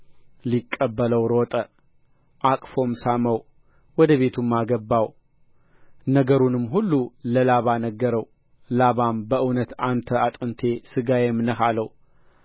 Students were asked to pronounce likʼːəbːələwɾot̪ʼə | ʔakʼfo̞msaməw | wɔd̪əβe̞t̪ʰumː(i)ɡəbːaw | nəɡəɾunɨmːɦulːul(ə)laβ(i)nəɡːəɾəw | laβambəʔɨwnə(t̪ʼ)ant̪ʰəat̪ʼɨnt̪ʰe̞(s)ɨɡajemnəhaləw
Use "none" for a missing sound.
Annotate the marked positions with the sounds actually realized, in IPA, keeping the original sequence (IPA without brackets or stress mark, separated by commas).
a, ə, a, t̪, s